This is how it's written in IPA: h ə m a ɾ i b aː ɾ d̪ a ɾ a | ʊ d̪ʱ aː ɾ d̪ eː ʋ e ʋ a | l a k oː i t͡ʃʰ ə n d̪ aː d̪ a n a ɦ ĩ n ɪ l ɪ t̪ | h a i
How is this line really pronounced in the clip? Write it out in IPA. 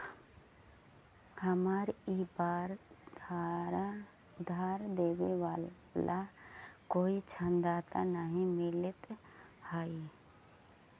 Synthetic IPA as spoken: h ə m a ɾ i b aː ɾ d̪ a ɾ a | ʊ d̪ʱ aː ɾ d̪ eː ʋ e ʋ a | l a k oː i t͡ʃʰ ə n d̪ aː t̪ a n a ɦ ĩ m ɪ l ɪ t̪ | h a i

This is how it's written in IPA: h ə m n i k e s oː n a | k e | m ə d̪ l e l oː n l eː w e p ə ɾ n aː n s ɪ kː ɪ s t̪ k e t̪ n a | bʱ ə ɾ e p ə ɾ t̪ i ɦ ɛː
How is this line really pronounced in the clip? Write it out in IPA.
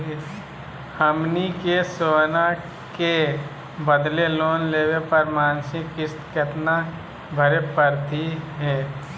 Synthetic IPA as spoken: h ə m n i k e s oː n a | k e | b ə d̪ l e l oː n l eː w e p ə ɾ m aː n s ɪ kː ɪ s t̪ k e t̪ n a | bʱ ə ɾ e p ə ɾ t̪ i ɦ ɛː

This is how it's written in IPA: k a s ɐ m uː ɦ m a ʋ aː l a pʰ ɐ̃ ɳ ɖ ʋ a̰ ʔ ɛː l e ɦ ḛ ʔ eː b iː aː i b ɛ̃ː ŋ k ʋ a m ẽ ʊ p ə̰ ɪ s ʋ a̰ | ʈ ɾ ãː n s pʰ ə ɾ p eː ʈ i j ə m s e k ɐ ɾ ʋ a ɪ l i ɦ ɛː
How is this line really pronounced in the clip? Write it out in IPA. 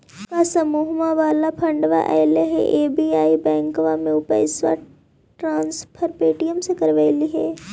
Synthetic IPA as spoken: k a s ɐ m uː ɦ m a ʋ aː l a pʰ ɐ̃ ɳ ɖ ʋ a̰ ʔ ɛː l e ɦ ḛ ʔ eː b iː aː i b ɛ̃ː ŋ k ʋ a m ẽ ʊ p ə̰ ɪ s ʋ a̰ | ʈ ɾ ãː n s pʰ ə ɾ p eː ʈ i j ə m s e k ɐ ɾ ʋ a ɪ l i ɦ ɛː

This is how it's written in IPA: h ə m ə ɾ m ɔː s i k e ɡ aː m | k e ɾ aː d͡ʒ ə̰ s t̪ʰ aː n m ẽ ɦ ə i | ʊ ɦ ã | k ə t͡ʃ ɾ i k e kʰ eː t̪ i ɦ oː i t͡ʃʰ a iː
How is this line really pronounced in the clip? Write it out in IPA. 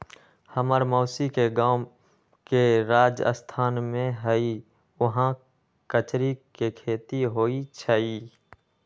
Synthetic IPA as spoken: h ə m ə ɾ m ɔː s i k e ɡ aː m | k e ɾ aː d͡ʒ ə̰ s t̪ʰ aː n m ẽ ɦ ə i | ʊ ɦ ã | k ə t͡ʃ ɾ i k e kʰ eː t̪ i ɦ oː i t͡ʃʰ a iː

